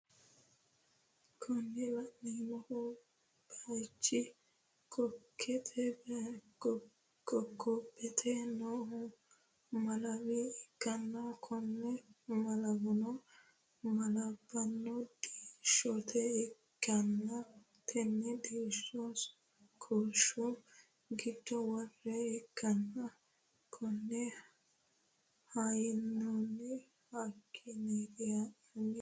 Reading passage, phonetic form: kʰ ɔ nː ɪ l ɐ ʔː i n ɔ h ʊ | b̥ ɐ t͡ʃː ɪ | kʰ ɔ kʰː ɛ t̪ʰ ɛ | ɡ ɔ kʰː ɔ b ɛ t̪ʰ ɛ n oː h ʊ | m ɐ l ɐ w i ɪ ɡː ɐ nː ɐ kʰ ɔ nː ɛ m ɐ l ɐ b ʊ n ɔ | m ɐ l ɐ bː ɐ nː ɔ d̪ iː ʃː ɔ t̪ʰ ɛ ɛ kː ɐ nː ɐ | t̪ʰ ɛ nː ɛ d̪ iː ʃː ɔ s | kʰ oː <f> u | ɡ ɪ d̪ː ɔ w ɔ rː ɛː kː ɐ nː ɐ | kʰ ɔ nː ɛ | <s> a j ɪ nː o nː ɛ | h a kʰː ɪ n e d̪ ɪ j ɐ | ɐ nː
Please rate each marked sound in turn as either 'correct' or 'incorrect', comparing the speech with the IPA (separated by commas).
incorrect, incorrect